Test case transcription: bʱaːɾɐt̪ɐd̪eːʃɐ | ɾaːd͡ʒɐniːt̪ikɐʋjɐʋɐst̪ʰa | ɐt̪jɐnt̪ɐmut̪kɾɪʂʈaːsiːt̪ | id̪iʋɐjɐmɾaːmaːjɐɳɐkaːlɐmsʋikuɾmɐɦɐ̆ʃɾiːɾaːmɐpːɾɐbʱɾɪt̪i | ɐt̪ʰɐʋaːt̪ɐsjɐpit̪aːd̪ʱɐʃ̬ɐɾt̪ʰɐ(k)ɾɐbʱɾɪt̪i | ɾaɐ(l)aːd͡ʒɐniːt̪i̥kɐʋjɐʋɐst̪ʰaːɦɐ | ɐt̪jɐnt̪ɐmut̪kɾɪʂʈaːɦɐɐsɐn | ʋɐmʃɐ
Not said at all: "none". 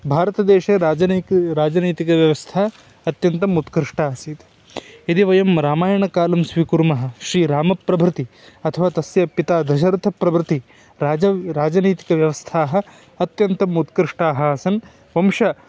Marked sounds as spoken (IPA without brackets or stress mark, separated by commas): p, ɾ